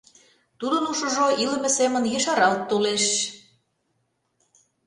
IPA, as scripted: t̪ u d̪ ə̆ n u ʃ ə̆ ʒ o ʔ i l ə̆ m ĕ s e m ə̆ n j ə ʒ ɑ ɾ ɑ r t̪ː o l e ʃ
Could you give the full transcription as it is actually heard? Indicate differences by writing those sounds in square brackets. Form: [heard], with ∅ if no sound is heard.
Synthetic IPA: t̪ u d̪ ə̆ n u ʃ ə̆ ʒ o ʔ i l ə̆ m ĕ s e m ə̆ n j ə [ʃ] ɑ ɾ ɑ [l] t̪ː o l e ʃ